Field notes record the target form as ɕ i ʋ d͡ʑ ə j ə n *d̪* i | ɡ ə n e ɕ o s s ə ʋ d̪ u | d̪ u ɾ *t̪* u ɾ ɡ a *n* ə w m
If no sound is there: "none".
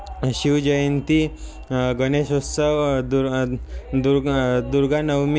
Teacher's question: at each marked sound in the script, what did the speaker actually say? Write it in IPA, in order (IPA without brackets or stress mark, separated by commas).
t̪, d̪, n